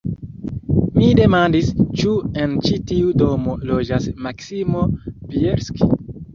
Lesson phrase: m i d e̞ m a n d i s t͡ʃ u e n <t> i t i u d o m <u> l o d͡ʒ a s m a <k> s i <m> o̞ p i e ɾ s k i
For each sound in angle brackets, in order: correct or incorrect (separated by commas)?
incorrect, incorrect, correct, correct